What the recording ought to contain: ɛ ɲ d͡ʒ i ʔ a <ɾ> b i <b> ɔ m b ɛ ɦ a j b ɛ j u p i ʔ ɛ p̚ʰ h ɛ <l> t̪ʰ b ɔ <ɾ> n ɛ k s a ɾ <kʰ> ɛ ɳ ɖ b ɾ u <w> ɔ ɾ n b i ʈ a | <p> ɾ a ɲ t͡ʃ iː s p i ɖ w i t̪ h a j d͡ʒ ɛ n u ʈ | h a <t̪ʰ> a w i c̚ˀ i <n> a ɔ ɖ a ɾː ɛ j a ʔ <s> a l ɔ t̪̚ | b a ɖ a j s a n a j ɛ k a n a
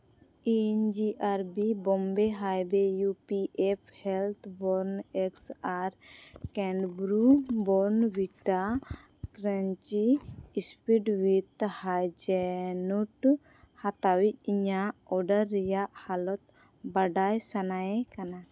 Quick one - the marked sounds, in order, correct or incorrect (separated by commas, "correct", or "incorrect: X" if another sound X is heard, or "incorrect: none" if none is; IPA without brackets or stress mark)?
correct, correct, correct, correct, incorrect: k, incorrect: b, incorrect: k, incorrect: t̪, incorrect: ɲ, incorrect: h